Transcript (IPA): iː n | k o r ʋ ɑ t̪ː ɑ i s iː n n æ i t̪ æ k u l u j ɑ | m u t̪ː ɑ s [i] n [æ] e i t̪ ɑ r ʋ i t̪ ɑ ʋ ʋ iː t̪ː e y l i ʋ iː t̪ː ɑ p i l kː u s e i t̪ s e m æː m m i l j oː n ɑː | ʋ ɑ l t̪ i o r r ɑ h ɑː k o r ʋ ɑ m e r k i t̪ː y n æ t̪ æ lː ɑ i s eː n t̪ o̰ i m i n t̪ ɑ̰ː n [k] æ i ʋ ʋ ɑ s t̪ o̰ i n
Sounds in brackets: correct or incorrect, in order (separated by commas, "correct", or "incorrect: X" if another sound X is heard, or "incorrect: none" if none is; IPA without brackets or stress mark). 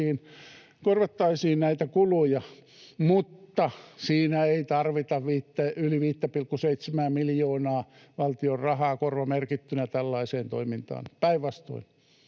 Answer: incorrect: iː, correct, incorrect: p